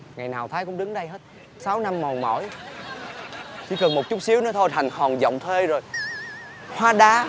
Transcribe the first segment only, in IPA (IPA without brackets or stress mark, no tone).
ŋ